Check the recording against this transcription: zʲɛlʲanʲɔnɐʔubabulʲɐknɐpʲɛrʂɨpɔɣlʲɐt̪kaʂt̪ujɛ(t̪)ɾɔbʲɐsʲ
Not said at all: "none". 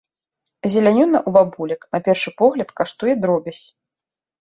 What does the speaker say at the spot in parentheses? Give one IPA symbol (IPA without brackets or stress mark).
d̪